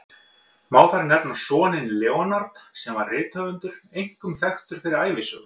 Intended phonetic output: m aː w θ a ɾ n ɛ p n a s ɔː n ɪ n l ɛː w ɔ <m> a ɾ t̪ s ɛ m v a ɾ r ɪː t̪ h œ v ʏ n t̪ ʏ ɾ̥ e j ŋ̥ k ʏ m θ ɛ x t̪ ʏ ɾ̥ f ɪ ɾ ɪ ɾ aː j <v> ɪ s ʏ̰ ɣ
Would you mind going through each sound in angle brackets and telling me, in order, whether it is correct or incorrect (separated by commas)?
incorrect, correct